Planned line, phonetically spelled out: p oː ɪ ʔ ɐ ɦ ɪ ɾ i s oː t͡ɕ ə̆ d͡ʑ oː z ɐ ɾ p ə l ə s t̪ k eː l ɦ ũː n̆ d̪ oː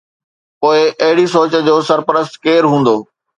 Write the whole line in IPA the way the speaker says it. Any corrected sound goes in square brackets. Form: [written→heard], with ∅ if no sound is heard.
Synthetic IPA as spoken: p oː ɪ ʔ ɐ ɦ ɪ [ɾ→ɽ] i s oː t͡ɕ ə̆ d͡ʑ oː [z→s] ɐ ɾ p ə [l→ɾ] ə s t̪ k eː [l→ɾ] ɦ ũː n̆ d̪ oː